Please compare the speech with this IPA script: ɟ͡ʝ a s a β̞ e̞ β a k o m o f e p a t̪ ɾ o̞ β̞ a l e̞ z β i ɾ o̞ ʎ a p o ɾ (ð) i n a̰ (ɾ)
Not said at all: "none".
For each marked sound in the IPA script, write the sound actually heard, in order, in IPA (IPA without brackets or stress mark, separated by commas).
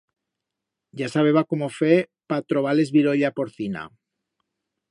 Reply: θ, none